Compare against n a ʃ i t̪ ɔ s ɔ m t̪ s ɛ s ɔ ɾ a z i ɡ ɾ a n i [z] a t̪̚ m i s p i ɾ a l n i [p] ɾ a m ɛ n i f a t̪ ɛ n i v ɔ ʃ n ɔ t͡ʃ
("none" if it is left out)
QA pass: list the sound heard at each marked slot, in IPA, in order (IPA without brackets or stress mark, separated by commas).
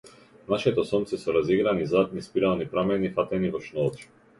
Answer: z, p